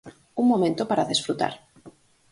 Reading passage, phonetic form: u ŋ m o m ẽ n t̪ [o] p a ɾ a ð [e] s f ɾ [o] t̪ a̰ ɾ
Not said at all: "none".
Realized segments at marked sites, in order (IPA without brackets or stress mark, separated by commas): o, e, u